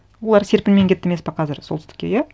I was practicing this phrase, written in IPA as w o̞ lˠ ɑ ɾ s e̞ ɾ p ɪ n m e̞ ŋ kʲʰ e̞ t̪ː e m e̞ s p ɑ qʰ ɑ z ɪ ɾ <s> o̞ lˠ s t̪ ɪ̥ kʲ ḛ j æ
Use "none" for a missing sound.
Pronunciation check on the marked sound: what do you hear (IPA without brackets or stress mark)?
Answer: s